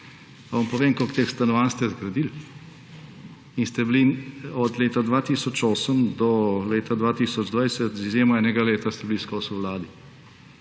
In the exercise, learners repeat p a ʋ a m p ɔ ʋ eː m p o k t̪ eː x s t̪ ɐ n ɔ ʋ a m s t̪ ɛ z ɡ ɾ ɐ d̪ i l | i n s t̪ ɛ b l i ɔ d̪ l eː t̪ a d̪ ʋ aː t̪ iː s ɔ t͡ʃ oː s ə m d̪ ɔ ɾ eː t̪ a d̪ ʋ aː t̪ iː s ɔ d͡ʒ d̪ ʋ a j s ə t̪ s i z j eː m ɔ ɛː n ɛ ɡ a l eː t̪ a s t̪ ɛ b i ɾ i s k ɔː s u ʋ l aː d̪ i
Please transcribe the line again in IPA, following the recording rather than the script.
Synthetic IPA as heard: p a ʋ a m p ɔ ʋ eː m k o k t̪ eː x s t̪ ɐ n ɔ ʋ a n s t̪ ɛ z ɡ ɾ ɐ d̪ i l | i n s t̪ ɛ b l i ɔ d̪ l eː t̪ a d̪ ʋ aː t̪ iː s ɔ t͡ʃ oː s ə m d̪ ɔ l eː t̪ a d̪ ʋ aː t̪ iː s ɔ d͡ʒ d̪ ʋ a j s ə t̪ z i z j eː m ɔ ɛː n ɛ ɡ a l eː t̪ a s t̪ ɛ b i l i s k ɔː s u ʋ l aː d̪ i

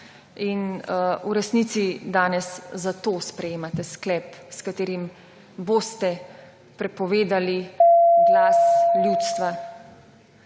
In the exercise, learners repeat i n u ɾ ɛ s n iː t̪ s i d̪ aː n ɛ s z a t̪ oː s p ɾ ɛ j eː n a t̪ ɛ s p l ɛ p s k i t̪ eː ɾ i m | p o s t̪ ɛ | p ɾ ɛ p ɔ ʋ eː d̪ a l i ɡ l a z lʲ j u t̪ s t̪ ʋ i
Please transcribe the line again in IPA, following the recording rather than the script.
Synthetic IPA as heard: i n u ɾ ɛ s n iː t̪ s i d̪ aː n ɛ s z a t̪ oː s p ɾ ɛ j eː m a t̪ ɛ s k l ɛ p s k a t̪ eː ɾ i m | b o s t̪ ɛ | p ɾ ɛ p ɔ ʋ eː d̪ a l i ɡ l a s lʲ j u t̪ s t̪ ʋ a

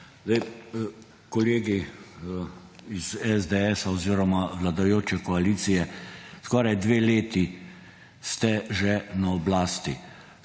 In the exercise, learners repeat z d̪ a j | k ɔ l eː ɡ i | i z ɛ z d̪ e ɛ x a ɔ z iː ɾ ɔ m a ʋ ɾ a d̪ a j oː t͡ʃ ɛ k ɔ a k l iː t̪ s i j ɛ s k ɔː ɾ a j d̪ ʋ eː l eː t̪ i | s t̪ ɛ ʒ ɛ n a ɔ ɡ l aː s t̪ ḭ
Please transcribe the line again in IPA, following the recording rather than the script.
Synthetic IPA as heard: z d̪ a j | k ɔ l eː ɡ i | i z ɛ z d̪ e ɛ s a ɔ z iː ɾ ɔ m a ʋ l a d̪ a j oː t͡ʃ ɛ k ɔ a l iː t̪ s i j ɛ s k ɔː ɾ a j d̪ ʋ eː l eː t̪ i | s t̪ ɛ ʒ ɛ n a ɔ b l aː s t̪ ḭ

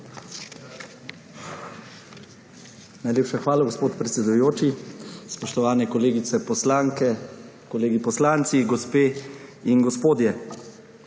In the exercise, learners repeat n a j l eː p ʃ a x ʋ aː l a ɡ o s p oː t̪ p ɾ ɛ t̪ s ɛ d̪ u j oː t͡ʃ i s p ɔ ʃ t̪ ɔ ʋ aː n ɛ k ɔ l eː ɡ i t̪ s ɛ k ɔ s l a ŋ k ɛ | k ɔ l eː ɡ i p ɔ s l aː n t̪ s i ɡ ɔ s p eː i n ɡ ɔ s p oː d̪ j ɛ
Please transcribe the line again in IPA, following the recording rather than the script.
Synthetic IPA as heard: n a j l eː p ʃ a x ʋ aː l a ɡ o s p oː t̪ p ɾ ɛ t̪ s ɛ d̪ u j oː t͡ʃ i s p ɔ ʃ t̪ ɔ ʋ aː n ɛ k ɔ l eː ɡ i t̪ s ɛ p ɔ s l a ŋ k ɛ | k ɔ l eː ɡ i p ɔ s l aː n t̪ s i ɡ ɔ s p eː i n ɡ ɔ s p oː d̪ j ɛ

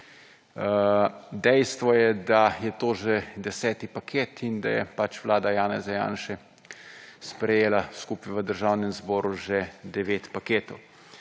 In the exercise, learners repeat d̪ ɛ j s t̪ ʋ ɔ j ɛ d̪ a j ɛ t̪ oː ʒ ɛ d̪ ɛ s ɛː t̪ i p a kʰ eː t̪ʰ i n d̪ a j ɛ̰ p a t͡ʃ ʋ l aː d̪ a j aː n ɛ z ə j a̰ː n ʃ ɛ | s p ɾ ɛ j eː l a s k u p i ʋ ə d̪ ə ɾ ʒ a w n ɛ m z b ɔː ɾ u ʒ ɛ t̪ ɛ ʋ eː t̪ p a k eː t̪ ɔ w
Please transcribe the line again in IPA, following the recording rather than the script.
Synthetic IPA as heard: d̪ ɛ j s t̪ ʋ ɔ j ɛ d̪ a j ɛ t̪ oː ʒ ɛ d̪ ɛ s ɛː t̪ i p a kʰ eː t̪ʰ i n d̪ a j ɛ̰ p a t͡ʃ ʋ l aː d̪ a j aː n ɛ z a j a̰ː n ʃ ɛ | s p ɾ ɛ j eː l a s k u p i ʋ ə d̪ ə ɾ ʒ a w n ɛ m z b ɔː ɾ u ʒ ɛ d̪ ɛ ʋ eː t̪ p a k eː t̪ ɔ w

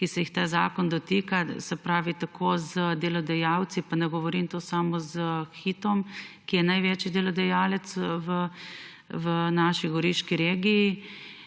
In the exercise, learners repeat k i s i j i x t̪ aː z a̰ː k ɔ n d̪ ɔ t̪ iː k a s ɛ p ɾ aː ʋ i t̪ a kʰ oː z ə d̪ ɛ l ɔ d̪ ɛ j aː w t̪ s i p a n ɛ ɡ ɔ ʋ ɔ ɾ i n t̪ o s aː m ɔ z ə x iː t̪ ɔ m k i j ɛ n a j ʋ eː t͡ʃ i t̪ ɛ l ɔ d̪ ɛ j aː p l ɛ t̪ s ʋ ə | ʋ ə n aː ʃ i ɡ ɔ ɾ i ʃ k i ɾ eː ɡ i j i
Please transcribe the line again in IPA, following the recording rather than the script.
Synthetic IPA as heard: k i s ɛ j i x t̪ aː z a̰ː k ɔ n d̪ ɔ t̪ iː k a s ɛ p ɾ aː ʋ i t̪ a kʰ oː z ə d̪ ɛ l ɔ d̪ ɛ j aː w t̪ s i p a n ɛ ɡ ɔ ʋ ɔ ɾ i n t̪ o s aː m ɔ z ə x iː t̪ ɔ m k i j ɛ n a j ʋ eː t͡ʃ i d̪ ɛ l ɔ d̪ ɛ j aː l ɛ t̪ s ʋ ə | ʋ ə n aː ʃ i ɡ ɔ ɾ i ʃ k i ɾ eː ɡ i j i

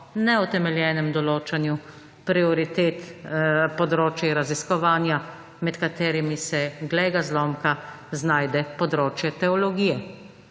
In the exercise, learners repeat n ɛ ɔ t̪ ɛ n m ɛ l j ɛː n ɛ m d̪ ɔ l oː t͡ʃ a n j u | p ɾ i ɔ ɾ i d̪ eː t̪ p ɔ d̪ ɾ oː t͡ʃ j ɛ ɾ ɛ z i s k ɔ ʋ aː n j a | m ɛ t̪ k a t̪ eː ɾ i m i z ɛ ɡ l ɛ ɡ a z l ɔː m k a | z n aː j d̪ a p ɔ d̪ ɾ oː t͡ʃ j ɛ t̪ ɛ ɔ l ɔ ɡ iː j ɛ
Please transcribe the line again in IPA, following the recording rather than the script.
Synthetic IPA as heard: n ɛ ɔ t̪ ɛ m ɛ l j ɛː n ɛ m d̪ ɔ l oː t͡ʃ a n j u | p ɾ i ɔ ɾ i t̪ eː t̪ p ɔ d̪ ɾ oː t͡ʃ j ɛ ɾ a z i s k ɔ ʋ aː n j a | m ɛ t̪ k a t̪ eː ɾ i m i s ɛ ɡ l ɛ ɡ a z l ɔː m k a | z n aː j d̪ ɛ p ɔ d̪ ɾ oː t͡ʃ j ɛ t̪ ɛ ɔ l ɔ ɡ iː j ɛ

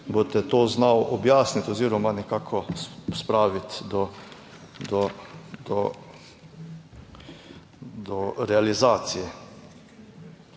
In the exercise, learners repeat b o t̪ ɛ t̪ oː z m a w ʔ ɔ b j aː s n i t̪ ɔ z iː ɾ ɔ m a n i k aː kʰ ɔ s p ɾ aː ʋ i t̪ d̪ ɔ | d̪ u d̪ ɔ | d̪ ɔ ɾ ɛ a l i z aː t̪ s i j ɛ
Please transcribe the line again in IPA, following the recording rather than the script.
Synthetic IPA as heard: b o t̪ ɛ t̪ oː z n a w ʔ ɔ b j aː s n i t̪ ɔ z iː ɾ ɔ m a n ɛ k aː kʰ ɔ s p ɾ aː ʋ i t̪ d̪ ɔ | d̪ ɔ d̪ ɔ | d̪ ɔ ɾ ɛ a l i z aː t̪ s i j ɛ

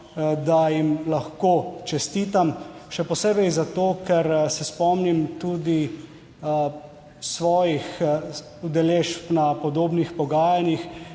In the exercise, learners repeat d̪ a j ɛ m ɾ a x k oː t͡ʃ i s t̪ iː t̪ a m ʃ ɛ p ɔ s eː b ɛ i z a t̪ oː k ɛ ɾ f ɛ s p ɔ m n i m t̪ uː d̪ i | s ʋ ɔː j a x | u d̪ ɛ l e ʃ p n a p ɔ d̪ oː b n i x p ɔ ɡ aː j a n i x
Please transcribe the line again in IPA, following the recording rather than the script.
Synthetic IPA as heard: d̪ a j i m l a x k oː t͡ʃ ɛ s t̪ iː t̪ a m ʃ ɛ p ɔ s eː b ɛ j z a t̪ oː k ɛ ɾ s ɛ s p ɔ m n i m t̪ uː d̪ i | s ʋ ɔː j i x | u d̪ ɛ l e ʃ p n a p ɔ d̪ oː b n i x p ɔ ɡ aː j a n i x

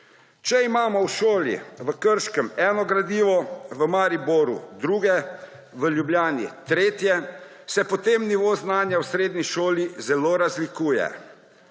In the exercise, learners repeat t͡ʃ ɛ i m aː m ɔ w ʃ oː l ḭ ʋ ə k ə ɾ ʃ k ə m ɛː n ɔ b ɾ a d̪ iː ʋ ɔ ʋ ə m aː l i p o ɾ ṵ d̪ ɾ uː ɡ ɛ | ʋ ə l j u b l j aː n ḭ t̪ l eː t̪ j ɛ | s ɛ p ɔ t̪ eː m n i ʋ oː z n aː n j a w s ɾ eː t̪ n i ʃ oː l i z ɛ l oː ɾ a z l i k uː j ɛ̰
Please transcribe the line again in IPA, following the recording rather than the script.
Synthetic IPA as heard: t͡ʃ ɛ i m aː m ɔ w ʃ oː l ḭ ʋ ə k ə ɾ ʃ k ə m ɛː n ɔ ɡ ɾ a d̪ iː ʋ ɔ ʋ ə m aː ɾ i b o ɾ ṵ d̪ ɾ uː ɡ ɛ | ʋ ə l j u b l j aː n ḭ t̪ ɾ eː t̪ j ɛ | s ɛ p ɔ t̪ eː m n i ʋ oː z n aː n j a w s ɾ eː d̪ n i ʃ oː l i z ɛ l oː ɾ a z l i k uː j ɛ̰

